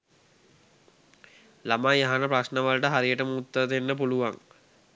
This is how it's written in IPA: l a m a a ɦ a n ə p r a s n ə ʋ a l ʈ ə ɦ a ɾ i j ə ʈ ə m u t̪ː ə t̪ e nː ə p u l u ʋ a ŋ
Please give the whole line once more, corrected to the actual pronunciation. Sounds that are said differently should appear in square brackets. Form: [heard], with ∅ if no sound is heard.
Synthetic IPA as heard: l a m a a ɦ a n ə p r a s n ə ʋ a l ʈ ə ɦ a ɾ i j ə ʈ ə m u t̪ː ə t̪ e nː ə p u l u ʋ a ŋ